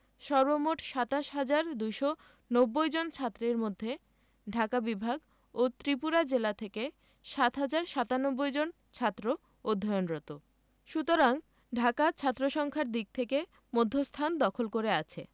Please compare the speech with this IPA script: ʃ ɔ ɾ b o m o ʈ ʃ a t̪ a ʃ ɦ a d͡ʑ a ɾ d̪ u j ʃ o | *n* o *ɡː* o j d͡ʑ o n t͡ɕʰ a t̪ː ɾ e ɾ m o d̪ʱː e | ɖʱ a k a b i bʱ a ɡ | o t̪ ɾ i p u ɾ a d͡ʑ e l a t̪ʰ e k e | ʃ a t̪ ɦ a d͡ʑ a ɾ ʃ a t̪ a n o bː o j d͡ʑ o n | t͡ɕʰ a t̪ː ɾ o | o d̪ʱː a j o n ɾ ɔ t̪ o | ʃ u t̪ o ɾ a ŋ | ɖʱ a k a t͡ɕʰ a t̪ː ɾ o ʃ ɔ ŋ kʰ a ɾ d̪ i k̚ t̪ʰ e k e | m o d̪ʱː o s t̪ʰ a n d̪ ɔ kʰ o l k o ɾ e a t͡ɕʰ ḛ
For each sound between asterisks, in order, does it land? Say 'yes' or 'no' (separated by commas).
yes, no